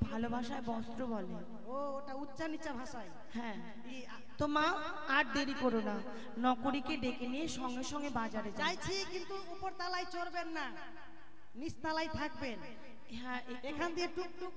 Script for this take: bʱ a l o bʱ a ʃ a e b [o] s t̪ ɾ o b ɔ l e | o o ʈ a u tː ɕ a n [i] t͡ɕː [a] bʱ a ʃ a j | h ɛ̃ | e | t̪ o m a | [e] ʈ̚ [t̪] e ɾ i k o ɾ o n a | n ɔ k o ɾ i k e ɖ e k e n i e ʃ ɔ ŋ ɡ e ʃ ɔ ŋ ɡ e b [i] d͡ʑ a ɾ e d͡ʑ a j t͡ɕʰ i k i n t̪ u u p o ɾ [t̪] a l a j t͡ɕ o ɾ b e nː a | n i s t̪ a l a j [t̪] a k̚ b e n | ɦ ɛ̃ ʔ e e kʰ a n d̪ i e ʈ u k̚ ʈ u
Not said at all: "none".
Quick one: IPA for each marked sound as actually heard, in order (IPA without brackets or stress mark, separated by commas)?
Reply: ɔ, i, a, a, d̪, a, t̪, t̪ʰ